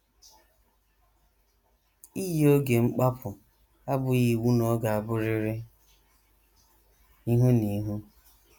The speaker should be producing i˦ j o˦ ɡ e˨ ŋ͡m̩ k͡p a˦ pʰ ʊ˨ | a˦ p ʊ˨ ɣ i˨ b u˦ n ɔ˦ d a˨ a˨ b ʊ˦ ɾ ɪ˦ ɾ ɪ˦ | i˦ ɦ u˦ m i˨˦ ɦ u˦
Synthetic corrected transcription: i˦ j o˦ ɡ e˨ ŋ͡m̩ k͡p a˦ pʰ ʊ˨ | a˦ b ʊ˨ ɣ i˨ w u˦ n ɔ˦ ɡ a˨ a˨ b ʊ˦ ɾ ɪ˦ ɾ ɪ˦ | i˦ ɦ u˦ n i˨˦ ɦ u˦